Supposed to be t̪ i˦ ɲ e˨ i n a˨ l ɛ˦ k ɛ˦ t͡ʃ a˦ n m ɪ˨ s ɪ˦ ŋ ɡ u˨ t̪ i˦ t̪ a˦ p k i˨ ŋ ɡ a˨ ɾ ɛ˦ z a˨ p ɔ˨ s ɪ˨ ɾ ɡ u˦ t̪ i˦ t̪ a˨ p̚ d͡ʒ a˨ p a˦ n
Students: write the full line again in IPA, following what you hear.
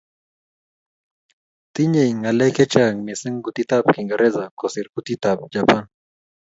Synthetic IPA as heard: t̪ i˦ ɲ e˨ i ŋ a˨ l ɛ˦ k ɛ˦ t͡ʃ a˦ ŋ m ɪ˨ s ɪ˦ ŋ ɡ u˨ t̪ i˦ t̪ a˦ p k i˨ ŋ ɡ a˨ ɾ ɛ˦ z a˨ k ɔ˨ s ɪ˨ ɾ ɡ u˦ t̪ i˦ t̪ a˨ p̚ d͡ʒ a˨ p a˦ n